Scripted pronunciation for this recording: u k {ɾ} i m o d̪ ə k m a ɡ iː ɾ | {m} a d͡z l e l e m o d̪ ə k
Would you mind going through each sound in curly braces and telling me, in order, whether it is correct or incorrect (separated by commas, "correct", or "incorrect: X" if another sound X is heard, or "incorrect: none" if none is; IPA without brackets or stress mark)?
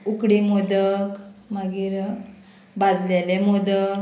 incorrect: ɽ, incorrect: b